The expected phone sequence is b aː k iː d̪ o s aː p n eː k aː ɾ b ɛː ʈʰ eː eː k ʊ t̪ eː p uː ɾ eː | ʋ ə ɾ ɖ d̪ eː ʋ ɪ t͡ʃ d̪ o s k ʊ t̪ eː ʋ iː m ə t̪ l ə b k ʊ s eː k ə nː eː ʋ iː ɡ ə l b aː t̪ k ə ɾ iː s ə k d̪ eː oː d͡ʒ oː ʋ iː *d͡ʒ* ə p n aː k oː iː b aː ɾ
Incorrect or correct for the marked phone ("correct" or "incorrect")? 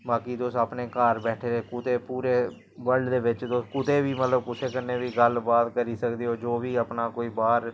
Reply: incorrect